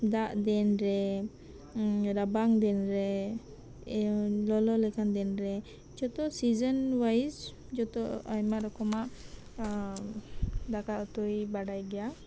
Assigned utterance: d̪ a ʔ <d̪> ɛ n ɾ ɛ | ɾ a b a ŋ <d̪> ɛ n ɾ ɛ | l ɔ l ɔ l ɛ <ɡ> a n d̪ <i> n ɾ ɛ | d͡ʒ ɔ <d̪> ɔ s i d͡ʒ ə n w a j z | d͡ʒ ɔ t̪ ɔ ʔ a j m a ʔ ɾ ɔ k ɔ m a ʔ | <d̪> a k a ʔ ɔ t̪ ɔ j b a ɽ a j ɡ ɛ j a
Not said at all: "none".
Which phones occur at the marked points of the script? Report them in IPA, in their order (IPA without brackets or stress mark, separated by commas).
d̪, d̪, k, ɛ, t̪, d̪